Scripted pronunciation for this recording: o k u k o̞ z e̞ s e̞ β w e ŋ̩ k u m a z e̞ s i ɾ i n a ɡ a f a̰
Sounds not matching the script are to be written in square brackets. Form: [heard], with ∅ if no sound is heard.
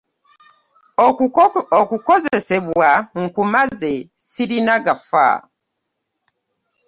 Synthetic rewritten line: o k u k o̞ z e̞ s e̞ β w [a] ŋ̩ k u m a z e̞ s i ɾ i n a ɡ a f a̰